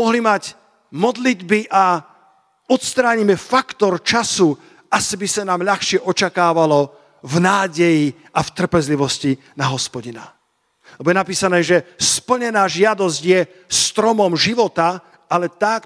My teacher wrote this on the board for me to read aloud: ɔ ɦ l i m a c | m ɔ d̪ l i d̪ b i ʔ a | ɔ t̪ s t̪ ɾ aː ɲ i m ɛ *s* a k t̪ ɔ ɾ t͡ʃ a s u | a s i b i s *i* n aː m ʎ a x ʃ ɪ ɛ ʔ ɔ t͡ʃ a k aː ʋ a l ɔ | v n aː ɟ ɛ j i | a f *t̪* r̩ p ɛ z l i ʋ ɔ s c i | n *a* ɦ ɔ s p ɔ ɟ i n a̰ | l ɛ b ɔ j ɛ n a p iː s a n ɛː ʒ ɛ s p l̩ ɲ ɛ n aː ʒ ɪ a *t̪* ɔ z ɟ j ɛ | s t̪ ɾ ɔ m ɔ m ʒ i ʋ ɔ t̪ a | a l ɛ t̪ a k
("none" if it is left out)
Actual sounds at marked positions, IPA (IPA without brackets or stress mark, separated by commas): f, a, t̪, a, d̪